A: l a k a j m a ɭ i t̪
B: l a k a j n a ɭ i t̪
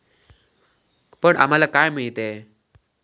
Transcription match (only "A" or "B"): A